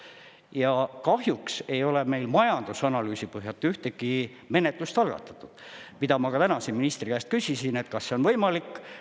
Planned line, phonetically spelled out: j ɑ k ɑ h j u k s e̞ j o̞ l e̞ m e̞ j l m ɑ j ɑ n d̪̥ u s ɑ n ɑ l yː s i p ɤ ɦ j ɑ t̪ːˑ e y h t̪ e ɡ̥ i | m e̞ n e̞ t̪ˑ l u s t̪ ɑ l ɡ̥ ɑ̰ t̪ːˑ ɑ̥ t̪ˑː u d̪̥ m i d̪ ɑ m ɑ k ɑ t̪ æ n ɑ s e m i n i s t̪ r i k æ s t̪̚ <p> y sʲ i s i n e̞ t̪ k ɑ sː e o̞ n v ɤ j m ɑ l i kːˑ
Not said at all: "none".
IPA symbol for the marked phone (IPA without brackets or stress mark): k